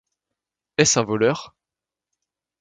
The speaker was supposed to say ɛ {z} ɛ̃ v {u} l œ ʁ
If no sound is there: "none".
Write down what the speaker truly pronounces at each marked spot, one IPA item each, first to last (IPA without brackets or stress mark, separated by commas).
s, ɔ